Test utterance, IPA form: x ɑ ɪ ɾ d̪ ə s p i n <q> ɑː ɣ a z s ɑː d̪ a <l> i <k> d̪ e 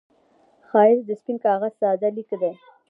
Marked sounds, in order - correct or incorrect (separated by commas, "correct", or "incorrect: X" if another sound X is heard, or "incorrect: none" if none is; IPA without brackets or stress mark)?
incorrect: k, correct, correct